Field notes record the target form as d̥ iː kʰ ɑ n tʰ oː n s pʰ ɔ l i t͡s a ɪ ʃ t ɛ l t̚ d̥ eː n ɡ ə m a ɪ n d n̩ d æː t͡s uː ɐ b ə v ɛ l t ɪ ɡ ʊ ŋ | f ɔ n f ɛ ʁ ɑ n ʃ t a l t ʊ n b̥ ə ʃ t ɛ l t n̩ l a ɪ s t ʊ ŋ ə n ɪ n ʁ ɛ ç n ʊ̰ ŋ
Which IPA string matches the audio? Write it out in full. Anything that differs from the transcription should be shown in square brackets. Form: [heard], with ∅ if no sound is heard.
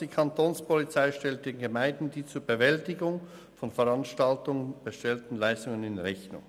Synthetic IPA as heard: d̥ iː kʰ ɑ n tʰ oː n s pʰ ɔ l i t͡s a ɪ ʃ t ɛ l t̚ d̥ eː n ɡ ə m a ɪ n d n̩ d [iː] t͡s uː ɐ b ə v ɛ l t ɪ ɡ ʊ ŋ | f ɔ n f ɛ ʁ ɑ n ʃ t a l t ʊ [ŋ] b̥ ə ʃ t ɛ l t n̩ l a ɪ s t ʊ ŋ ə n ɪ n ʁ ɛ ç n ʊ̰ ŋ